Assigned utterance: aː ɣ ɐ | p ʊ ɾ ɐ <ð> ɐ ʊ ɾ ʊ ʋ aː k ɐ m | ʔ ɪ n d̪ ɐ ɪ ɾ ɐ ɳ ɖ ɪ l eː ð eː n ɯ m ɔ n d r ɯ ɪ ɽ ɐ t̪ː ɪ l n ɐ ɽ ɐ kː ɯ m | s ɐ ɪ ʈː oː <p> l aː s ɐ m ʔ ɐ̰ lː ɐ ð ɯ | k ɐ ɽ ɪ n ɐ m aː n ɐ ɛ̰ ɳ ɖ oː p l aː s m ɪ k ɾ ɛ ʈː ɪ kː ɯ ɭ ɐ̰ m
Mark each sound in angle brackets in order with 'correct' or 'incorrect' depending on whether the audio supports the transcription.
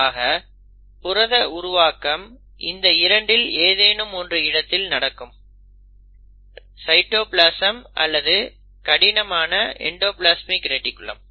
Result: correct, correct

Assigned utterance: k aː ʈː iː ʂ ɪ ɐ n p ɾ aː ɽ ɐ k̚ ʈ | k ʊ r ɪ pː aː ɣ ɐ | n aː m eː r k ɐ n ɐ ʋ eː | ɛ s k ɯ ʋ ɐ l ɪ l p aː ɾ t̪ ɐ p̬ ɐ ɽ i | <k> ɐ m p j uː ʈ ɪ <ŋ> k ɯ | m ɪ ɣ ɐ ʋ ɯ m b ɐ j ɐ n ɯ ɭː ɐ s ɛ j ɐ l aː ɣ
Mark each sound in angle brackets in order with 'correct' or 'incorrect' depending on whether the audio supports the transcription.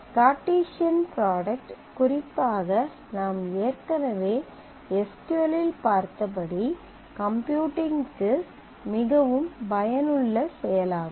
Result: correct, correct

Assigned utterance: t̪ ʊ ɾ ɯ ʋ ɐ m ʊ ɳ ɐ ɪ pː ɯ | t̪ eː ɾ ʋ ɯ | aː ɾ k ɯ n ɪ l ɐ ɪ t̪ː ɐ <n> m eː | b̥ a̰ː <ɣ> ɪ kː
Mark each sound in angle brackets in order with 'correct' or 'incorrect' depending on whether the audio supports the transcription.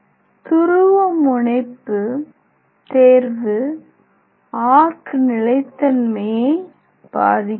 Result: correct, incorrect: ð

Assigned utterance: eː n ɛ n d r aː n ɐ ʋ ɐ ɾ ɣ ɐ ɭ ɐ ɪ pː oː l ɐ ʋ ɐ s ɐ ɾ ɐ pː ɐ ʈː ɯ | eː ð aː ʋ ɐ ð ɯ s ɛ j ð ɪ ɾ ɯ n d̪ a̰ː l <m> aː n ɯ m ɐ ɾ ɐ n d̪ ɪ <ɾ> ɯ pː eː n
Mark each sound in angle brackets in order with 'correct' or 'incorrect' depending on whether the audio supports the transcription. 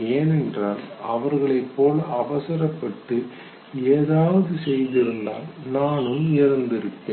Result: incorrect: n, correct

